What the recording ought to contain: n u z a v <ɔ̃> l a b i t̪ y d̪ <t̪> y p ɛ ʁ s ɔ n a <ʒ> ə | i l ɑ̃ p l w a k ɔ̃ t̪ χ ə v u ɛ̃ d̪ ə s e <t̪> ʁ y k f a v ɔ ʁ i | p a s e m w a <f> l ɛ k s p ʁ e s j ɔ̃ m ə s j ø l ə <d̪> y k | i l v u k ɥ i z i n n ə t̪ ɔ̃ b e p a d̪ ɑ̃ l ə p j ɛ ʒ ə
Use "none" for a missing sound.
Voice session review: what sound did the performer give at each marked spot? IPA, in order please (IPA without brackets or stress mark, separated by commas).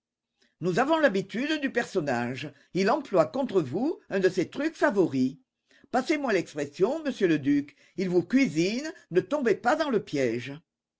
ɔ̃, d̪, ʒ, t̪, none, d̪